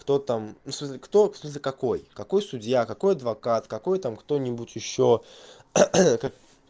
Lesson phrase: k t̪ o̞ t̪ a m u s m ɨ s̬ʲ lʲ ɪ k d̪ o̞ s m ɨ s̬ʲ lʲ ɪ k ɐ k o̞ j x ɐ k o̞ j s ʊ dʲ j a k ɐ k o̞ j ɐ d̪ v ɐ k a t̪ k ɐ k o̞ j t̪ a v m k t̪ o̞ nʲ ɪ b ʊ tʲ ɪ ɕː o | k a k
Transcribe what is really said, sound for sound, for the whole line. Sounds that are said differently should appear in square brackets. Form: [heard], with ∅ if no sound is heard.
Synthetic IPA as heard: k t̪ o̞ t̪ a m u s m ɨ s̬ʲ lʲ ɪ k [t̪] o̞ s m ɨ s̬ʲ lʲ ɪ k ɐ k o̞ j [k] ɐ k o̞ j s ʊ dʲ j a k ɐ k o̞ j ɐ d̪ v ɐ k a t̪ k ɐ k o̞ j t̪ a [∅] m k t̪ o̞ nʲ ɪ b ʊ tʲ ɪ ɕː o | k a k